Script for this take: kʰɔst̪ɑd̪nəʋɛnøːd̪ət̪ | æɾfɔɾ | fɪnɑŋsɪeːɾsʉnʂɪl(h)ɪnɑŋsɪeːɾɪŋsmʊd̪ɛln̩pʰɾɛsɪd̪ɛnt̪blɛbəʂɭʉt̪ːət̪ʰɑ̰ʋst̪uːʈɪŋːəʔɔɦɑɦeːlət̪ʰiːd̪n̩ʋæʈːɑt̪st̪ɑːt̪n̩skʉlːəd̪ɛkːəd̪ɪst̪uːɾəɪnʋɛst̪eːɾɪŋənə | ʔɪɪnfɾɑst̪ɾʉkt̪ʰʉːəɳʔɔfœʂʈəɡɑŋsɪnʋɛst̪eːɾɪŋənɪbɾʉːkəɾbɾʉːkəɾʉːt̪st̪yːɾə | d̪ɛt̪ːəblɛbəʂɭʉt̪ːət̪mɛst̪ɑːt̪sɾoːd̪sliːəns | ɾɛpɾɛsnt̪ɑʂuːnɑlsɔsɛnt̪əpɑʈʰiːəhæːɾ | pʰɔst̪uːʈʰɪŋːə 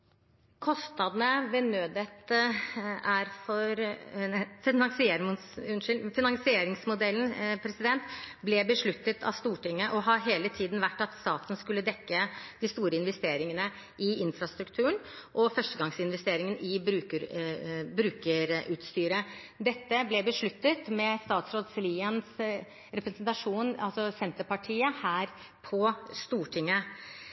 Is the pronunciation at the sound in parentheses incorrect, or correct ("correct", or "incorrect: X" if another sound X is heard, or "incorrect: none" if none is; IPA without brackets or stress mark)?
incorrect: f